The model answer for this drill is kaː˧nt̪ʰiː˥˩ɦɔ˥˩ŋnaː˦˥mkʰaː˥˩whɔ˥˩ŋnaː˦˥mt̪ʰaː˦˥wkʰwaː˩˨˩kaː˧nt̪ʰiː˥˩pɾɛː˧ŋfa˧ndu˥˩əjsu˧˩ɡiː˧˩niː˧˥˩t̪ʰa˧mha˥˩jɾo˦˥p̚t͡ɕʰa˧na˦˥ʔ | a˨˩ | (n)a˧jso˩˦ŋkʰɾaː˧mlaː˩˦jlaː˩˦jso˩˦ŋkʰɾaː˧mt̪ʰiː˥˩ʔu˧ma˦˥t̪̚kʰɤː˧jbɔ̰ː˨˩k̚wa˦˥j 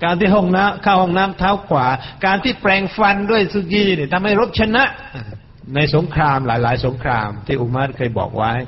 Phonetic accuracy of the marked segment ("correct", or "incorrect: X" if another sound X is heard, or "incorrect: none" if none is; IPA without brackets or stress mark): correct